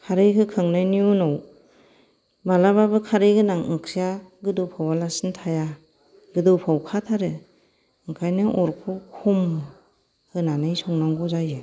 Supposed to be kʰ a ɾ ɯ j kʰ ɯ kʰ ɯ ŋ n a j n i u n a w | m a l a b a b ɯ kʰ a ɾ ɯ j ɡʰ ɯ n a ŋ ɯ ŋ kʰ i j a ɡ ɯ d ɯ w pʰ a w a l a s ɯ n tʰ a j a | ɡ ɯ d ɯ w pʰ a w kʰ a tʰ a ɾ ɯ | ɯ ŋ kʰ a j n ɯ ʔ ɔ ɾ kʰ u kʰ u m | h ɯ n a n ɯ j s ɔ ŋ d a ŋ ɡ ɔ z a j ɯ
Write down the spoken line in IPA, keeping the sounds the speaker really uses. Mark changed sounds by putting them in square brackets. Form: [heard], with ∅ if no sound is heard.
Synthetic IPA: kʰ a ɾ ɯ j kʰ ɯ kʰ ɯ ŋ n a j n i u n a w | m a l a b a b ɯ kʰ a ɾ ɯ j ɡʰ ɯ n a ŋ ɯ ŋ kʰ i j a ɡ ɯ d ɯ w pʰ a w a l a s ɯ n tʰ a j a | ɡ ɯ d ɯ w pʰ a w kʰ a tʰ a ɾ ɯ | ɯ ŋ kʰ a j n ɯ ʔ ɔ ɾ kʰ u kʰ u m | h ɯ n a n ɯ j s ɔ ŋ [n] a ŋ ɡ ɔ z a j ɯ